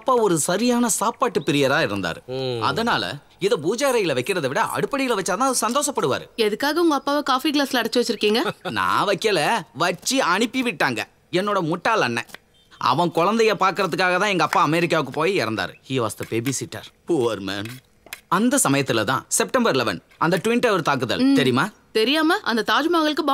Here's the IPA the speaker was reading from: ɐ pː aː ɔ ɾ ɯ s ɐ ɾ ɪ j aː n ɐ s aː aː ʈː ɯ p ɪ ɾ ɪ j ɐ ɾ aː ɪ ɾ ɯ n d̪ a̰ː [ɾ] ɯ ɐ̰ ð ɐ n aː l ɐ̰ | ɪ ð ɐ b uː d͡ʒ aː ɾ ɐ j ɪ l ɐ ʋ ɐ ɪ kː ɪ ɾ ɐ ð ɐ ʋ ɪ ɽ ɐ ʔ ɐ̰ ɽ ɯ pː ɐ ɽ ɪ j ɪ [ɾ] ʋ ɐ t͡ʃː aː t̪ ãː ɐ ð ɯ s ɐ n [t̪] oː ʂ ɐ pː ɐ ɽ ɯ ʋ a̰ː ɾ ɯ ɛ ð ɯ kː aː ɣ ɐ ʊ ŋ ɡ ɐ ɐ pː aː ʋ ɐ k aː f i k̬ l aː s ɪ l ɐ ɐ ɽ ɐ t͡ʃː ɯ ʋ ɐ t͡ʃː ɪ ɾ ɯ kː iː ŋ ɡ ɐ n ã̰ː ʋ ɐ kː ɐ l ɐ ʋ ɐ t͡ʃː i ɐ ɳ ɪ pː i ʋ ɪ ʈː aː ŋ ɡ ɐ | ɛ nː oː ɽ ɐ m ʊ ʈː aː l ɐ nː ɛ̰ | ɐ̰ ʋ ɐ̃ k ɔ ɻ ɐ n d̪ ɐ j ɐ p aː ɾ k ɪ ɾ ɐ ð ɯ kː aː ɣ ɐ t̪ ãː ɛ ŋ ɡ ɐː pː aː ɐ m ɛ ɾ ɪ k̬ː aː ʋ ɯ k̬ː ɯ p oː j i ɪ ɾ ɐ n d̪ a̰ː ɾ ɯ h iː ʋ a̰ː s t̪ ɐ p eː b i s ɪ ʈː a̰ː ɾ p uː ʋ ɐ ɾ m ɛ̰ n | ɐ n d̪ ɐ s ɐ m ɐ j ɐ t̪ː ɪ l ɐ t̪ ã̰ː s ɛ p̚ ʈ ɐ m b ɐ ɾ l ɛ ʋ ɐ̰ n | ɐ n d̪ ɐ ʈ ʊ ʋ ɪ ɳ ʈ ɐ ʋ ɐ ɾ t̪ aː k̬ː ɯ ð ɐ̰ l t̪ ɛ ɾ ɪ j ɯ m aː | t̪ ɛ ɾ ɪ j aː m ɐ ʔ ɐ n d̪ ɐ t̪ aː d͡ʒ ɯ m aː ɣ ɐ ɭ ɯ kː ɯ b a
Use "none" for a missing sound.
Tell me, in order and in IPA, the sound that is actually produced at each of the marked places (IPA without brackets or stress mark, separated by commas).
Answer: ɾ, l, d̪